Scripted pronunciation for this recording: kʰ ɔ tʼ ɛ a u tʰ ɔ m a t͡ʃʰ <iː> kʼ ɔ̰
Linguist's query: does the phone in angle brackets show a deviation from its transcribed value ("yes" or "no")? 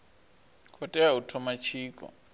no